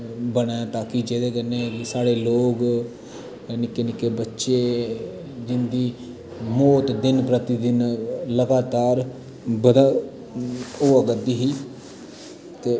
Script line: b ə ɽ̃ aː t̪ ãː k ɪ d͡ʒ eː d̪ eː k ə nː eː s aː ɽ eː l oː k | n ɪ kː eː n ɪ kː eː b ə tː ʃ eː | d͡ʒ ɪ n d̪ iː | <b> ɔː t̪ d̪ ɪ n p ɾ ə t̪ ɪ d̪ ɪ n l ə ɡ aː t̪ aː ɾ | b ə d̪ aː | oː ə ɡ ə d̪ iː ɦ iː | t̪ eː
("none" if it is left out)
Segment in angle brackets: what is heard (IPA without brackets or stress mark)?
m